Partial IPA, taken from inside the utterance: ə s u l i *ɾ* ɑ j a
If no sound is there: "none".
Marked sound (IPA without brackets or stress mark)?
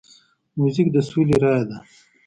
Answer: ɾ